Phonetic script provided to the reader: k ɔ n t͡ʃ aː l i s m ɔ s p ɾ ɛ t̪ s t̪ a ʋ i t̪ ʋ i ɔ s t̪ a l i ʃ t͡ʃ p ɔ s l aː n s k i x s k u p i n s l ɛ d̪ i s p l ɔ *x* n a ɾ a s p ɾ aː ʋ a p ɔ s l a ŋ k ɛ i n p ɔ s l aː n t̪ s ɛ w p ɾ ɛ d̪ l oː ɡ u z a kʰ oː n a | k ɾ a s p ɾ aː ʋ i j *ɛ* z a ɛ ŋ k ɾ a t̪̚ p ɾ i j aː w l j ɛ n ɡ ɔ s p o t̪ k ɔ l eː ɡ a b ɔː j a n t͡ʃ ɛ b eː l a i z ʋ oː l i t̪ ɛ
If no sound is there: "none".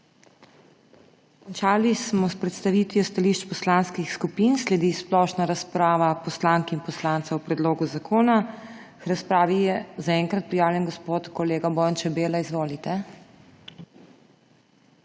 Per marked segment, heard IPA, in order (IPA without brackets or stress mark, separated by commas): ʃ, ɛ